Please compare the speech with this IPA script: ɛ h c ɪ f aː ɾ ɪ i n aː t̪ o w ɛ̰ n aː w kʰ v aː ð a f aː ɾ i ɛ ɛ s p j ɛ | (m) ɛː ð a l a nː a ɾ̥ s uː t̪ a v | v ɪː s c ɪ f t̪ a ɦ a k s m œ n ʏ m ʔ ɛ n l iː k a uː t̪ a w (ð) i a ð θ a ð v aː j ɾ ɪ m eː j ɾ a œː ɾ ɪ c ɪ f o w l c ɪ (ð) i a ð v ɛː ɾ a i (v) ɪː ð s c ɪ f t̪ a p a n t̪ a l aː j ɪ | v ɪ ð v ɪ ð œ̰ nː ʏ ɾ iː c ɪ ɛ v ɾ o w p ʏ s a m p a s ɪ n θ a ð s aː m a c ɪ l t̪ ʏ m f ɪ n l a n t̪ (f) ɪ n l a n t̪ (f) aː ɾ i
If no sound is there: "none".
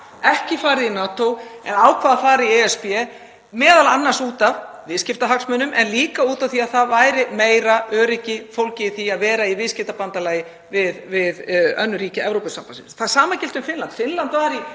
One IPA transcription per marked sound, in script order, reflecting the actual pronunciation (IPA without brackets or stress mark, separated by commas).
m, θ, θ, v, f, v